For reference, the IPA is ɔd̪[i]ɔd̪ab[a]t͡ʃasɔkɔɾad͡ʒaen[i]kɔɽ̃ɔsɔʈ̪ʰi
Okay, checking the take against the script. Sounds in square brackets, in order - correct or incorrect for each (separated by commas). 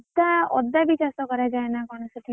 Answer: incorrect, incorrect, incorrect